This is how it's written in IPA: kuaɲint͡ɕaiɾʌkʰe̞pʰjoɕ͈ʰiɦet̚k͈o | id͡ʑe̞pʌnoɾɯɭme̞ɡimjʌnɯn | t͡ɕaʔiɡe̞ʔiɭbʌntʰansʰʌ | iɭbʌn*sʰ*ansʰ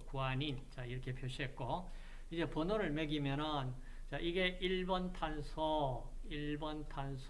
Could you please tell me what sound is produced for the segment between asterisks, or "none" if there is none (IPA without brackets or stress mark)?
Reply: tʰ